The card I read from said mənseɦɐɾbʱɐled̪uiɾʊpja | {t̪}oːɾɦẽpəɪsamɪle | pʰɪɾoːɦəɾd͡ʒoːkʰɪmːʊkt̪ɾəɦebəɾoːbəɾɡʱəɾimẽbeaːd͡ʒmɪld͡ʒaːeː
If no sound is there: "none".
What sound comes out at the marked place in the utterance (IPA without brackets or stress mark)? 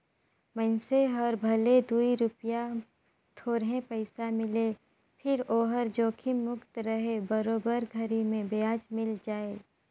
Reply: t̪ʰ